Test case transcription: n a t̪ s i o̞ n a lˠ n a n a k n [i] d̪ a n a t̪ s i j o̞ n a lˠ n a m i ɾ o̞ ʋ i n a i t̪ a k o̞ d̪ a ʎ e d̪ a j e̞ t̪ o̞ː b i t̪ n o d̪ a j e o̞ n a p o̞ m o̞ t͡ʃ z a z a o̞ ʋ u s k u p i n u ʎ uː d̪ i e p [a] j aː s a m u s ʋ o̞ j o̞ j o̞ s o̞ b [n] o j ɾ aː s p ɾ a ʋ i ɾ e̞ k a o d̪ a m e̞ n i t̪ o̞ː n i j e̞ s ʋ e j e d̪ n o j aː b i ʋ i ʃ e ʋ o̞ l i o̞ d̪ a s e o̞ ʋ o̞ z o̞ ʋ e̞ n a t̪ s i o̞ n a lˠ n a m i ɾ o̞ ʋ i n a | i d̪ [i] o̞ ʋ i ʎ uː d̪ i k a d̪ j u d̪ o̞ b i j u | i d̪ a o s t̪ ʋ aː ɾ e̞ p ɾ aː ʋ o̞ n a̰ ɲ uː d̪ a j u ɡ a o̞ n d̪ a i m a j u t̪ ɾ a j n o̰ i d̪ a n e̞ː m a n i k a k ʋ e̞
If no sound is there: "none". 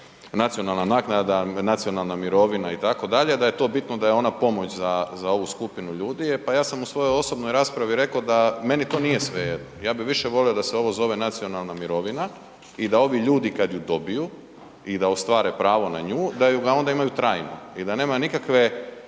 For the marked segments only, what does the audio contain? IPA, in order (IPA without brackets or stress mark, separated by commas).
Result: a, a, n, a